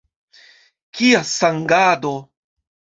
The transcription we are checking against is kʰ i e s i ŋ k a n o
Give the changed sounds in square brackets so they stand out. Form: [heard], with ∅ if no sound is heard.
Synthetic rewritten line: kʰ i [a] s [a] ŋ [ɡ] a [d] o